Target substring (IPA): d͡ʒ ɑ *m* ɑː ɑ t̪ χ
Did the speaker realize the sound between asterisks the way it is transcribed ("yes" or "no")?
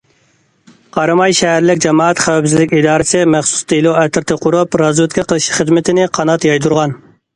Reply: yes